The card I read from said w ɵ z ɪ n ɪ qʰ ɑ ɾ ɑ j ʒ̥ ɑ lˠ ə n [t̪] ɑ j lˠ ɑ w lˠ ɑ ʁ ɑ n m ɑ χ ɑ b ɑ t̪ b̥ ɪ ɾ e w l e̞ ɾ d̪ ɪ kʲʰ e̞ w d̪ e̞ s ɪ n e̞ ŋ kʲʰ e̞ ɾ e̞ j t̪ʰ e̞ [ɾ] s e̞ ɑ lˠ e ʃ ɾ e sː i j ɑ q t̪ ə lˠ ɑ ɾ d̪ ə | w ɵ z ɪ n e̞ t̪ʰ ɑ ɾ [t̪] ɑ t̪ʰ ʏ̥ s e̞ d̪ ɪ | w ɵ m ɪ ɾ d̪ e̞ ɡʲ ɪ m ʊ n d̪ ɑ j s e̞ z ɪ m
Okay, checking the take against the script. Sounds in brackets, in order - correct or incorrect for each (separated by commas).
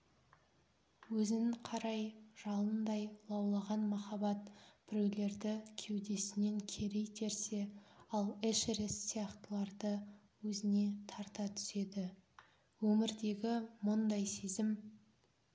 incorrect, correct, correct